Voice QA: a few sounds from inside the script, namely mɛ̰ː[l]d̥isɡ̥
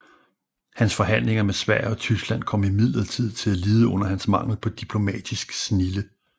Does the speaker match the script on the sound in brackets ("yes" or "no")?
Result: no